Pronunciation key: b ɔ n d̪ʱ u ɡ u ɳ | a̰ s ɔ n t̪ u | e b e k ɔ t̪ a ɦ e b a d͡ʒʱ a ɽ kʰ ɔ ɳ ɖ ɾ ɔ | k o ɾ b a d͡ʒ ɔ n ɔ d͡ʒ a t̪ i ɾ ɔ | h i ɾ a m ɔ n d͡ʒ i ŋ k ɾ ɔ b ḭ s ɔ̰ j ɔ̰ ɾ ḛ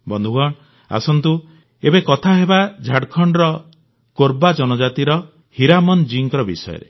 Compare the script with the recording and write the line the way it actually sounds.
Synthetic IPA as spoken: b ɔ n d̪ʱ u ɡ ɔ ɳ | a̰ s ɔ n t̪ u | e b e k ɔ t̪ʰ a ɦ e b a d͡ʒʱ a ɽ kʰ ɔ ɳ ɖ ɾ ɔ | k o ɾ b a d͡ʒ ɔ n ɔ d͡ʒ a t̪ i ɾ ɔ | h i ɾ a m ɔ n d͡ʒ i ŋ k ɾ ɔ b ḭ s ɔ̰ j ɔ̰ ɾ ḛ